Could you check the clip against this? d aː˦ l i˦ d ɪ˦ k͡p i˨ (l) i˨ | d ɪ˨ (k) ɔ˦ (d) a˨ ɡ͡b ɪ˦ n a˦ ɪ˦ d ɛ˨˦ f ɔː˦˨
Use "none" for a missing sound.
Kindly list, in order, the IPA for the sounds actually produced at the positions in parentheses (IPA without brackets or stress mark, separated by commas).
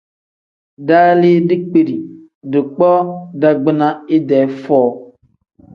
ɾ, k͡p, d